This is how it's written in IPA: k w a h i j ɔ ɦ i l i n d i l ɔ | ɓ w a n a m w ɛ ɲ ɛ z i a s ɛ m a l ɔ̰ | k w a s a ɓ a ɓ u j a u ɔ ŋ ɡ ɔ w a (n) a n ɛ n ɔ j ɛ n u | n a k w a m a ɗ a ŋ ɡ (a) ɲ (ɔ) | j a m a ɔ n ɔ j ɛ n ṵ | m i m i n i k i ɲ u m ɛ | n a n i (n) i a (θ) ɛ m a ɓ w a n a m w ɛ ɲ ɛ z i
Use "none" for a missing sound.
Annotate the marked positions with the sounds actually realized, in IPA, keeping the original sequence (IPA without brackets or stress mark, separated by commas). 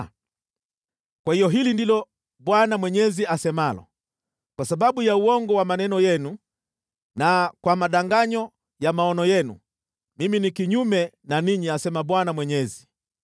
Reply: m, a, ɔ, ɲ, s